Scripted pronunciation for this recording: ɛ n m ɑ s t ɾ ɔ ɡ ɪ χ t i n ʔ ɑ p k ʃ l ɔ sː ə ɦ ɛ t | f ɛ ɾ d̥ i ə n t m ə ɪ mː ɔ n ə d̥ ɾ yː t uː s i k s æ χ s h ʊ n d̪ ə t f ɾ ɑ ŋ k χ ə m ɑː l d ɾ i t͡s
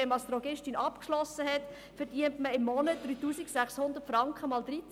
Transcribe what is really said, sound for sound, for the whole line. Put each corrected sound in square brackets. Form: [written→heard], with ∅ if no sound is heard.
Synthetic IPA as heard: ɛ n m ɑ s t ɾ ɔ ɡ ɪ [χ→ʃ] t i n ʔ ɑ p k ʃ l ɔ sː ə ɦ ɛ t | f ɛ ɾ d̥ i ə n t m ə ɪ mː ɔ n ə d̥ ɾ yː t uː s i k s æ χ s h ʊ n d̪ ə t f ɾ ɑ ŋ k χ ə m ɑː l d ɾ i t͡s